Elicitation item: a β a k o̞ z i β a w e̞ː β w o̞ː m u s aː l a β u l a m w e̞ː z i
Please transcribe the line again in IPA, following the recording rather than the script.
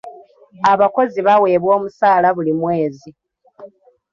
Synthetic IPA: a β a k o̞ z i β a w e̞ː β w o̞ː m u s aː l a β u l i m w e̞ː z i